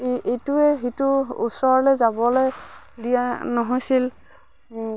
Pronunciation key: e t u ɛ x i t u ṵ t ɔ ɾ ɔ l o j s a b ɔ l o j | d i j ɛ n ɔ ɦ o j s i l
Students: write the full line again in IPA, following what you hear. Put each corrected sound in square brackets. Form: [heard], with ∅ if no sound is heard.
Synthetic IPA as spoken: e t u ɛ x i t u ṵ [s] ɔ [ɹ] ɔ l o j [z] a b ɔ l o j | d i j [a] n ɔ ɦ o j s i l